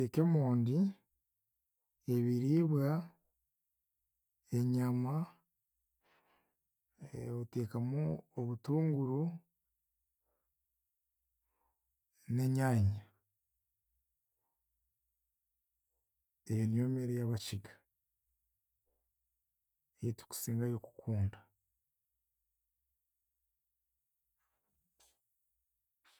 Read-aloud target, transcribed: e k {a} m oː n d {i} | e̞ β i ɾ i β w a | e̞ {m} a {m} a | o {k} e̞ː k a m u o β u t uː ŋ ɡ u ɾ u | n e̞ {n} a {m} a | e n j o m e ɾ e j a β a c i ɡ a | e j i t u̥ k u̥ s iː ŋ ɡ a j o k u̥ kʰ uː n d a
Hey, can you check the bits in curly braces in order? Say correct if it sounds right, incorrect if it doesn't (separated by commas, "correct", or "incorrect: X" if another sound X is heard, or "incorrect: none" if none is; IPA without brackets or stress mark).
incorrect: e, correct, incorrect: ɲ, correct, incorrect: t, incorrect: ɲ, incorrect: ɲ